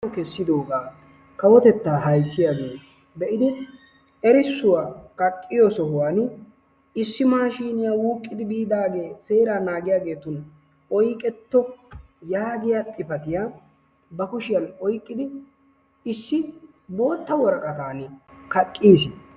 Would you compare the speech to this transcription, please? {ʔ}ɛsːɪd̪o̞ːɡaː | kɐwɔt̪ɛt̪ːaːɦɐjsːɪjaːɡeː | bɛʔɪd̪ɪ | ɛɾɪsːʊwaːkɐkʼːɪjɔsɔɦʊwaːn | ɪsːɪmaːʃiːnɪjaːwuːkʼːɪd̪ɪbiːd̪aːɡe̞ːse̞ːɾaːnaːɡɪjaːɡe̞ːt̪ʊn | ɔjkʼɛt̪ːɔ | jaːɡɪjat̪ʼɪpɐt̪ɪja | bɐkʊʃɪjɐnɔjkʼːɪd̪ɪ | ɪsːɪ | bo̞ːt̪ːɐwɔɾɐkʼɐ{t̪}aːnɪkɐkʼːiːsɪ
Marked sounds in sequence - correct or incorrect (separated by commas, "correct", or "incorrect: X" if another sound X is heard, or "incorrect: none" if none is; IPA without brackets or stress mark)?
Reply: incorrect: k, correct